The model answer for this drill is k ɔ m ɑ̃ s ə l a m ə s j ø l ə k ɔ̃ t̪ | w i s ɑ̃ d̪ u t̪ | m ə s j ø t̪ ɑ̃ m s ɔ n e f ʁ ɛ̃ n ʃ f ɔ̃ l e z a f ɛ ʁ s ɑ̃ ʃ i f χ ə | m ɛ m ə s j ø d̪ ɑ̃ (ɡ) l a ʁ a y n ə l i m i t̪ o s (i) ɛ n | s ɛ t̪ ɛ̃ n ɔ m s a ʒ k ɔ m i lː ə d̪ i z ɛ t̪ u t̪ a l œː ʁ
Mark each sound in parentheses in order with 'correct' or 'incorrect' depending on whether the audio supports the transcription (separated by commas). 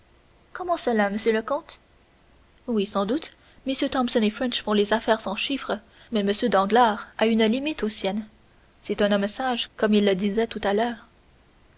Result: correct, incorrect